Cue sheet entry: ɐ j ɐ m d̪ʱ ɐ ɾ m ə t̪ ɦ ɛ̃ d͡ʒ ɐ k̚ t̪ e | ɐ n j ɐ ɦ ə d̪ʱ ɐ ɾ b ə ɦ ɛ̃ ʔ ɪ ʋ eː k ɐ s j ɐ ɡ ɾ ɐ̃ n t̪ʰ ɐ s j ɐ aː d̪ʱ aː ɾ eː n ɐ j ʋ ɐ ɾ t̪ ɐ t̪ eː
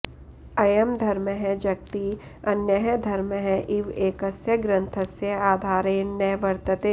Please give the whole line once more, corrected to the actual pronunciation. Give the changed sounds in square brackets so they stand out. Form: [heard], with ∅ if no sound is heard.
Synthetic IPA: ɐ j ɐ m d̪ʱ ɐ ɾ m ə [∅] ɦ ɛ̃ d͡ʒ ɐ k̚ t̪ [i] | ɐ n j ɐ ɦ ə d̪ʱ ɐ ɾ [m] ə ɦ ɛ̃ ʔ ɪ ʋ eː k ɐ s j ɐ ɡ ɾ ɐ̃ n t̪ʰ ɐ s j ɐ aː d̪ʱ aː ɾ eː n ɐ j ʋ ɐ ɾ t̪ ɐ t̪ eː